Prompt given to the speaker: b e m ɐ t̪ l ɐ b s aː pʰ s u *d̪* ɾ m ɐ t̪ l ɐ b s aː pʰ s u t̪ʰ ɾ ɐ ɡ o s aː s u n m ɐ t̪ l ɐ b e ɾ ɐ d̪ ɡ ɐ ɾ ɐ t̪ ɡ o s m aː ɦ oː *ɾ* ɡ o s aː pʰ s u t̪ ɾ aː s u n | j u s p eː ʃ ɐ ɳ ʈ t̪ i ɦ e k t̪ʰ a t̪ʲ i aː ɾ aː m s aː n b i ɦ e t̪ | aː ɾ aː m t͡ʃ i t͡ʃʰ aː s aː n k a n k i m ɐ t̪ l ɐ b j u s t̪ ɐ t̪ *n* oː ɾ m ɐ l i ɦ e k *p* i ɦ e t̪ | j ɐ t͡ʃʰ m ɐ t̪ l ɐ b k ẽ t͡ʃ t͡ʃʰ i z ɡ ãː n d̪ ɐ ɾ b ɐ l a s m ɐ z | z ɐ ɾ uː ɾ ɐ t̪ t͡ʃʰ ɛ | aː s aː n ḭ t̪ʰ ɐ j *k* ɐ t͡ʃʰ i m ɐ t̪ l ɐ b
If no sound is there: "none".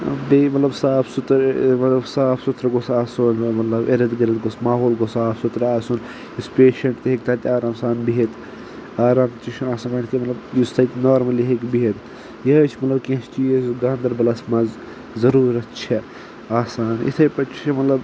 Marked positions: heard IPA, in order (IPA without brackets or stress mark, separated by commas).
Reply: t̪, l, n, b, p